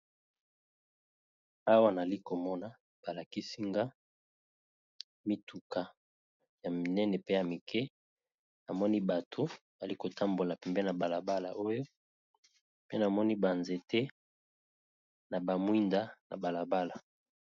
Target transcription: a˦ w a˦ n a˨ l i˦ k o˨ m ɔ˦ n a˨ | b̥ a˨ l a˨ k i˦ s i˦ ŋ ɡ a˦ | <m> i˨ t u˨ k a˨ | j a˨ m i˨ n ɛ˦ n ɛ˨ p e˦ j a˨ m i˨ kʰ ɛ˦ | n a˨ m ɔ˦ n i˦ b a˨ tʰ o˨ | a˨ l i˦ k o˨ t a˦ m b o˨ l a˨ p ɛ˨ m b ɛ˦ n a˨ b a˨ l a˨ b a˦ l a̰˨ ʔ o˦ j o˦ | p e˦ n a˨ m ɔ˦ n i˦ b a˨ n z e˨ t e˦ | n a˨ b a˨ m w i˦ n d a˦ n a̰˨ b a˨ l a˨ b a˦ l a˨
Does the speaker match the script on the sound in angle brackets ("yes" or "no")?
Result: yes